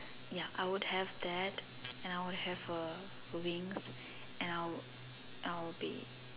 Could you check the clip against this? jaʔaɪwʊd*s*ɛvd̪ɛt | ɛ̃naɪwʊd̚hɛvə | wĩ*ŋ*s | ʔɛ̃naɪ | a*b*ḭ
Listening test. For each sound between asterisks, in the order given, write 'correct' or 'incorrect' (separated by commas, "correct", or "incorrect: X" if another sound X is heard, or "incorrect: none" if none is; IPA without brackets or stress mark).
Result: incorrect: h, correct, correct